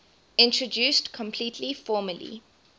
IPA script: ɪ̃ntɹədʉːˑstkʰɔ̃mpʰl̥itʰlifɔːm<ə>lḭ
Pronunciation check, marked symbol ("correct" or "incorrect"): correct